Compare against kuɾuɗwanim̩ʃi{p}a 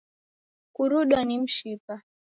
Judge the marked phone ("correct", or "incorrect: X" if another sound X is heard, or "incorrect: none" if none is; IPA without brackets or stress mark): correct